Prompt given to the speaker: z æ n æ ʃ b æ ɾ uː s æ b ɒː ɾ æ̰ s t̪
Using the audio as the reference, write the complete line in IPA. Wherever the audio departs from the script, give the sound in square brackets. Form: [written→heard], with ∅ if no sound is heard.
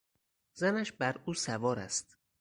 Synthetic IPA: z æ n æ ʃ b æ ɾ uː s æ [b→v] ɒː ɾ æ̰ s t̪